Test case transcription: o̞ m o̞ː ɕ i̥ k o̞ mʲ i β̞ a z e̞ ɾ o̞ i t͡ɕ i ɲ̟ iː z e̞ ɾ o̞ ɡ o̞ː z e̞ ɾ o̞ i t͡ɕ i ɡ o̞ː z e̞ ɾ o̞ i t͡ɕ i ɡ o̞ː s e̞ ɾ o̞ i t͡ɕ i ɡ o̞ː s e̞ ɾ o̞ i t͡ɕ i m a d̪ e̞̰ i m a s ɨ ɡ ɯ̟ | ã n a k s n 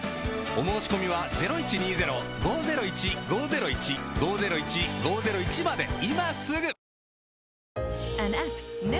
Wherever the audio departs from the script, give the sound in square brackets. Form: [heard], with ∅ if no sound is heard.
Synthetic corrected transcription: o̞ m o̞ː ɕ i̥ k o̞ mʲ i β̞ a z e̞ ɾ o̞ i t͡ɕ i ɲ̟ iː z e̞ ɾ o̞ ɡ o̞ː z e̞ ɾ o̞ i t͡ɕ i ɡ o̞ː z e̞ ɾ o̞ i t͡ɕ i ɡ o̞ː [z] e̞ ɾ o̞ i t͡ɕ i ɡ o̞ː [z] e̞ ɾ o̞ i t͡ɕ i m a d̪ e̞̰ i m a s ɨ ɡ ɯ̟ | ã n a k s n